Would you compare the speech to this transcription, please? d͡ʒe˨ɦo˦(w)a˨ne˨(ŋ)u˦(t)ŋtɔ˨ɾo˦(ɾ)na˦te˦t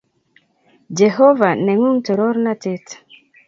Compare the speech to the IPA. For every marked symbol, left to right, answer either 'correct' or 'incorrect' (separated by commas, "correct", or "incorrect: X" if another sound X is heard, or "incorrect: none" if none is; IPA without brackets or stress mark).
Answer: incorrect: v, correct, incorrect: none, correct